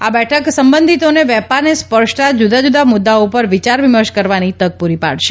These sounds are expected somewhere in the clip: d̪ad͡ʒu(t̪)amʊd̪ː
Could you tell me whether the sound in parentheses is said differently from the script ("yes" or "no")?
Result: yes